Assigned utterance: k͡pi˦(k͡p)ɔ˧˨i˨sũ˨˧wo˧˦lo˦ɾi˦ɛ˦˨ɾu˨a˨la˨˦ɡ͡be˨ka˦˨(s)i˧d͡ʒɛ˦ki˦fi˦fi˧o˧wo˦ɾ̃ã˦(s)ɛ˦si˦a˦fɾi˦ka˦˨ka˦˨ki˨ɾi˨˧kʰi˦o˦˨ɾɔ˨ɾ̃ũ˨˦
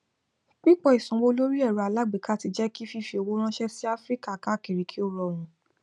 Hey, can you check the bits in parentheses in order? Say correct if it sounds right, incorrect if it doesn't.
correct, incorrect: t, incorrect: ʃ

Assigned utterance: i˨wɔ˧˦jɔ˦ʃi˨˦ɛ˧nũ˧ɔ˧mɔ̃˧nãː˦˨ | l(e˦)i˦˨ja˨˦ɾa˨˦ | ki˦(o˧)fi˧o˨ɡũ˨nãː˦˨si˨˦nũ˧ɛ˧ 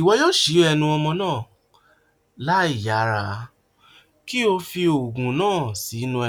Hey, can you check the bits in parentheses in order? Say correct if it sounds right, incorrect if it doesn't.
incorrect: a˦, correct

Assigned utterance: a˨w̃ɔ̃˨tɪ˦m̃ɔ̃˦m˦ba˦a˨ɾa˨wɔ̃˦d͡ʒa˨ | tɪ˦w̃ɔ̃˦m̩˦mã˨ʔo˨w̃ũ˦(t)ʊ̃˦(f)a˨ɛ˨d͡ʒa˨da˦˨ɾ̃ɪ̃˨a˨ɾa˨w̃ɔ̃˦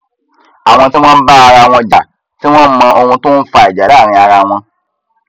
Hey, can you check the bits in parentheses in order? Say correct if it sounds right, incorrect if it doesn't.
correct, correct

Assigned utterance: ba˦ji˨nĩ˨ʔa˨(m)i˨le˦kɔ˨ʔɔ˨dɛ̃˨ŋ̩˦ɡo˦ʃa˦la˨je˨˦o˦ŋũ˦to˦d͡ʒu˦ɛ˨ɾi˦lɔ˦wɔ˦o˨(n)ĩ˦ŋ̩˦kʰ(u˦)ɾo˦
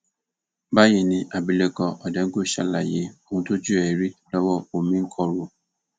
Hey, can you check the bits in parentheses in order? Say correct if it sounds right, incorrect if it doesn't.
incorrect: b, incorrect: m, incorrect: ɔ˦

